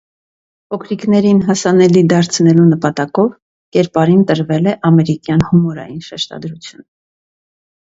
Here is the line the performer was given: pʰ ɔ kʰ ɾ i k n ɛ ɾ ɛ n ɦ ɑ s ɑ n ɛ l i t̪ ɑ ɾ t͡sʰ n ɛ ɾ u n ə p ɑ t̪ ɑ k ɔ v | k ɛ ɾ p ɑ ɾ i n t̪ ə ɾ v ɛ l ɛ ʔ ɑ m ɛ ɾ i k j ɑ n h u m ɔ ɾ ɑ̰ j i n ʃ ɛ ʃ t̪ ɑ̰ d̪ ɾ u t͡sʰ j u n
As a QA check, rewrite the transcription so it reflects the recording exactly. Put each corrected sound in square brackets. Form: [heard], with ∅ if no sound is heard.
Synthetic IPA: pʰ ɔ kʰ ɾ i k n ɛ ɾ [i] n ɦ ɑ s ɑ n ɛ l i [d̪] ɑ ɾ t͡sʰ n ɛ [l] u n ə p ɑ t̪ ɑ k ɔ v | k ɛ ɾ p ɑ ɾ i n t̪ ə ɾ v ɛ l ɛ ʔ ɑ m ɛ ɾ i k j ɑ n h u m ɔ ɾ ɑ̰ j i n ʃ ɛ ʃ t̪ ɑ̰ d̪ ɾ u t͡sʰ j u n